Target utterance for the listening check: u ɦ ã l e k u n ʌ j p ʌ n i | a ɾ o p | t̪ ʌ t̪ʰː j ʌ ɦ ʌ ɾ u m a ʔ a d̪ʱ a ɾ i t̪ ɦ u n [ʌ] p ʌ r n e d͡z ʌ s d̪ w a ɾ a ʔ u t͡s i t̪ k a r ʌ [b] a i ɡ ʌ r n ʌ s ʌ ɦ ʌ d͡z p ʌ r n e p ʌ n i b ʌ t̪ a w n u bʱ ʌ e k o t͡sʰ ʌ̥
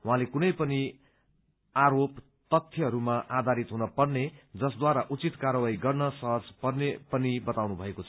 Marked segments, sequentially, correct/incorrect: correct, incorrect: w

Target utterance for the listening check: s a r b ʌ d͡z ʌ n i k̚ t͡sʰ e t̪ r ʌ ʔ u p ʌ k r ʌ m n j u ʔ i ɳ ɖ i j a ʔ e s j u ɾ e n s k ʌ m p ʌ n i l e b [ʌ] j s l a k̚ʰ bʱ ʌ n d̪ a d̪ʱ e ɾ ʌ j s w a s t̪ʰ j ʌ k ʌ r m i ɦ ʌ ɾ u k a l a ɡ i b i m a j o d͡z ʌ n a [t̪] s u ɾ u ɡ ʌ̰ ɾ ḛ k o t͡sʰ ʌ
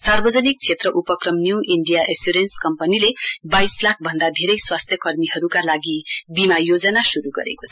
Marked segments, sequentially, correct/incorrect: incorrect: a, incorrect: none

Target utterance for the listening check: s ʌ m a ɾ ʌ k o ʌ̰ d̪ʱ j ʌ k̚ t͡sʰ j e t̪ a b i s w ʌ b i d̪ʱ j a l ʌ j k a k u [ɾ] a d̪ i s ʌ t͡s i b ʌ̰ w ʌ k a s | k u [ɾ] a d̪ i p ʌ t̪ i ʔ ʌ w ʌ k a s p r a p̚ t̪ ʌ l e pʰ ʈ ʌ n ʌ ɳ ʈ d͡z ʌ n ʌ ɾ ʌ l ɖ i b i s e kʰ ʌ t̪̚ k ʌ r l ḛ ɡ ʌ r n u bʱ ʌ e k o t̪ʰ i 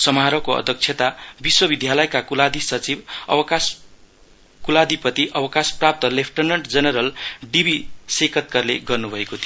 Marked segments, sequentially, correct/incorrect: incorrect: l, incorrect: l

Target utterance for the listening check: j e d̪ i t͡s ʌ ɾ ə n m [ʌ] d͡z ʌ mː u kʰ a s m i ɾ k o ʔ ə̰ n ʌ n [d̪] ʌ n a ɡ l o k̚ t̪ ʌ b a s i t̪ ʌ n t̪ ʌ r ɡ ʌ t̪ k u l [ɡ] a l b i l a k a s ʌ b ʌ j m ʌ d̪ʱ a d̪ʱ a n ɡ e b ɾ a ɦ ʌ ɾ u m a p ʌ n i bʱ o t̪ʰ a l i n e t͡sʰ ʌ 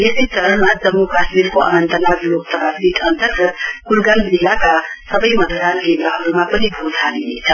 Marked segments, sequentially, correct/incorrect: incorrect: a, incorrect: t̪, correct

